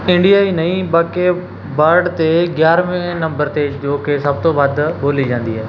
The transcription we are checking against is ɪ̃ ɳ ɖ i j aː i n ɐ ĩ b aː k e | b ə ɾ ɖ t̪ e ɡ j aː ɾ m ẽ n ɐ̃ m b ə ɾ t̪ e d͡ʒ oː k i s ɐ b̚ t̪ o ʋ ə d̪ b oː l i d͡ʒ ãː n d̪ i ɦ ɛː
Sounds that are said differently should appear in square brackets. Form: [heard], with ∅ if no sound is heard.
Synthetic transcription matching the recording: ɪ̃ ɳ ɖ i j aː i n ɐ ĩ b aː k e | b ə ɾ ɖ t̪ e ɡ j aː ɾ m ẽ n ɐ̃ m b ə ɾ t̪ e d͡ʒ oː k [e] s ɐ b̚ t̪ o ʋ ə d̪ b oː l i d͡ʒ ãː n d̪ i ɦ ɛː